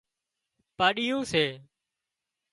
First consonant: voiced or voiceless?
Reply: voiceless